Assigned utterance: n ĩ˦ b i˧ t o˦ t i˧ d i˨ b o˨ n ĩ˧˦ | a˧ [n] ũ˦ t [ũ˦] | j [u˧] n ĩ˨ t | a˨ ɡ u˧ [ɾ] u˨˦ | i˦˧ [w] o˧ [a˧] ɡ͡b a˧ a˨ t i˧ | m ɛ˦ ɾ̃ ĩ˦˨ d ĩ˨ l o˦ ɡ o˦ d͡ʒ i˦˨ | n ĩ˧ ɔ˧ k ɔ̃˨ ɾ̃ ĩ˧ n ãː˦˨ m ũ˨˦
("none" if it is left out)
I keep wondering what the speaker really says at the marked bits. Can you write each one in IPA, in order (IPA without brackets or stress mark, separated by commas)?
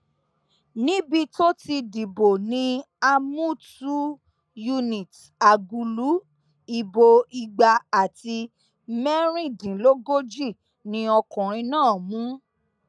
m, u˦, u˧, l, b, i˧